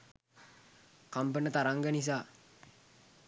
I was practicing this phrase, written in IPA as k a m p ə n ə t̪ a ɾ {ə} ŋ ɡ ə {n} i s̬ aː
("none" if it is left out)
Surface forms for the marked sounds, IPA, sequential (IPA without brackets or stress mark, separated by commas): a, n